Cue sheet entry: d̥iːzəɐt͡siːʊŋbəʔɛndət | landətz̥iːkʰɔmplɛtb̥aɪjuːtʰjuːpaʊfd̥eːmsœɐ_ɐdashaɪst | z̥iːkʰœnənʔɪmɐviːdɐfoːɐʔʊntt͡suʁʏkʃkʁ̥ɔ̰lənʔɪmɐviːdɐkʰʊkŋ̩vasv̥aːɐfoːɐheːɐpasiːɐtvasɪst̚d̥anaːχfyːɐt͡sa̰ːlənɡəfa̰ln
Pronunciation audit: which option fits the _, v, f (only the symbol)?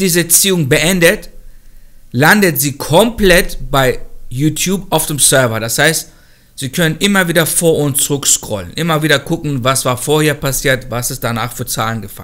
v